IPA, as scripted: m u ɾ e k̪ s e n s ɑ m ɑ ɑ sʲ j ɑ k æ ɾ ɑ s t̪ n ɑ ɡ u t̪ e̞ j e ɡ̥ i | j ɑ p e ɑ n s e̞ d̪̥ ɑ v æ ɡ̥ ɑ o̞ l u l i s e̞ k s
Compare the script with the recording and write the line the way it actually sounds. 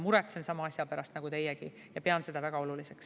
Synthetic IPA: m u ɾ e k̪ s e n s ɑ m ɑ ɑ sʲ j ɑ p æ ɾ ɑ s t̪ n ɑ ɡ u t̪ e̞ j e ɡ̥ i | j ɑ p e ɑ n s e̞ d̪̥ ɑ v æ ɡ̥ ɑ o̞ l u l i s e̞ k s